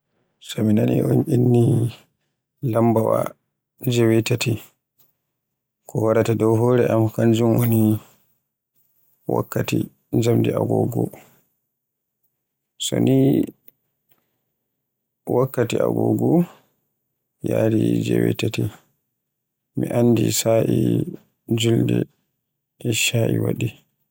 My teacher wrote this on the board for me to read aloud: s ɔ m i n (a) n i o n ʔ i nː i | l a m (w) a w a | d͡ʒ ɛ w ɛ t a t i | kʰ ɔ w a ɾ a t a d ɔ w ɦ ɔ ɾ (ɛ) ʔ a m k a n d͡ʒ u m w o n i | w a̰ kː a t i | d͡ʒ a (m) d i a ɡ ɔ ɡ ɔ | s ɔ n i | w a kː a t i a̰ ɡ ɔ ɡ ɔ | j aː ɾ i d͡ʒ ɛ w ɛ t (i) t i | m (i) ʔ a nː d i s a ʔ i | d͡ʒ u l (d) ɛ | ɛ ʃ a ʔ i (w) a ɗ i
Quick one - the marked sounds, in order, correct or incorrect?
correct, incorrect, correct, correct, incorrect, correct, correct, correct

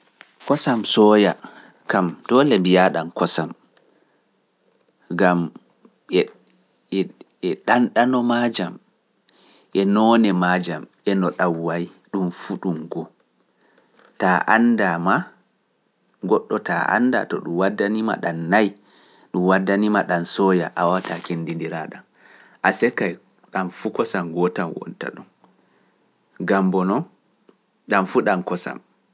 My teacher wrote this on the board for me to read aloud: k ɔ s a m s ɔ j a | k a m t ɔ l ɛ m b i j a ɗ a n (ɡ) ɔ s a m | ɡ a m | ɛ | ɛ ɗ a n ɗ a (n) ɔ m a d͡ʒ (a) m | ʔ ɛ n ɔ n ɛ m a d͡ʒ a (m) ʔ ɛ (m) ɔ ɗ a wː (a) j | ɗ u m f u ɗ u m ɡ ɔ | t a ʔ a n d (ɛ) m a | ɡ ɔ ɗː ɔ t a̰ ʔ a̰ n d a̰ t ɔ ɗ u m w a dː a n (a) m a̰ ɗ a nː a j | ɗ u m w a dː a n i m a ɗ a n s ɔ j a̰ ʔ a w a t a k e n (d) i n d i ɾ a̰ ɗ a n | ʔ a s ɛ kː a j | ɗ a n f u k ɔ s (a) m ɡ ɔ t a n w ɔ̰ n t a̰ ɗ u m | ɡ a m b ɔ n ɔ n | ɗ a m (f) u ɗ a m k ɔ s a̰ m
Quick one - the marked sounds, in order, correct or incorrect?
incorrect, correct, correct, correct, incorrect, correct, incorrect, incorrect, correct, correct, correct

